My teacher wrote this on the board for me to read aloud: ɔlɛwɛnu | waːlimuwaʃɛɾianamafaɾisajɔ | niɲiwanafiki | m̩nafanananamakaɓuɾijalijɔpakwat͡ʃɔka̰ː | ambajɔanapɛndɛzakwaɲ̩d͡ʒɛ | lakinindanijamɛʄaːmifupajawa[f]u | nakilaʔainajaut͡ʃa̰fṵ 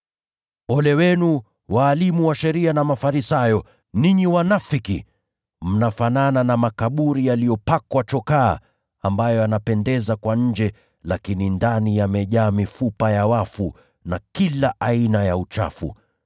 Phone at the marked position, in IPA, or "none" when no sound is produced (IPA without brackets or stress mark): f